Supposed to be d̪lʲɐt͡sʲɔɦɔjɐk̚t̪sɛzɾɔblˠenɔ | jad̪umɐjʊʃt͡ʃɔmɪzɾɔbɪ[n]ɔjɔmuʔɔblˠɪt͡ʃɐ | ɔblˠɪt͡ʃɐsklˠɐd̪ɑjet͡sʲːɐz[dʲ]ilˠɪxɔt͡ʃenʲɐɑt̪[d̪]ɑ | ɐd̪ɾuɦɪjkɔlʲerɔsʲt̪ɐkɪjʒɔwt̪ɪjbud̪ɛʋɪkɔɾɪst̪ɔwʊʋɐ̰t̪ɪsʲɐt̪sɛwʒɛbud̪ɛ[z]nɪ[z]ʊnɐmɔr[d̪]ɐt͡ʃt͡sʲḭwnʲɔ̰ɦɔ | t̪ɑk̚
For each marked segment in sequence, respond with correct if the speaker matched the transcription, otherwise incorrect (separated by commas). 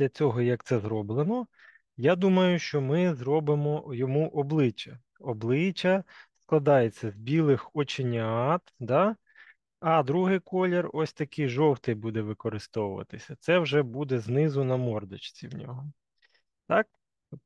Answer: incorrect, incorrect, correct, correct, correct, correct